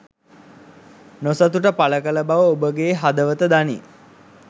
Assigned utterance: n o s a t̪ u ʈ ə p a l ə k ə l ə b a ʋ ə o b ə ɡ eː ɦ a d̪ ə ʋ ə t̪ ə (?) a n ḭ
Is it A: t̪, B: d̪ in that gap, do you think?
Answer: B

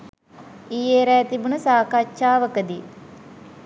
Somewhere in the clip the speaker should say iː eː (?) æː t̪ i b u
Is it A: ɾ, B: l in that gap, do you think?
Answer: A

